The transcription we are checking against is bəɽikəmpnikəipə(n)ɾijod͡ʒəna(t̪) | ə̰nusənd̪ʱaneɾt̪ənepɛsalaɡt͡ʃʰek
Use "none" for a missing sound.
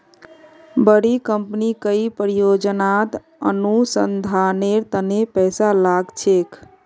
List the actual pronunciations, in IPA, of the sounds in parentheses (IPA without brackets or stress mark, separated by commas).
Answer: none, t̪